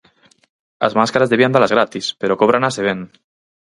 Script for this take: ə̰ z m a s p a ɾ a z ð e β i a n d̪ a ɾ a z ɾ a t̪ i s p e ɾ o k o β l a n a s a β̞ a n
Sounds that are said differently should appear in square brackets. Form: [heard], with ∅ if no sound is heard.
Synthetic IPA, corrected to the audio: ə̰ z m a s [k] a ɾ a z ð e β i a n d̪ a [l] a z ɾ a t̪ i s p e ɾ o k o β [ɾ] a n a s [e] β̞ [e] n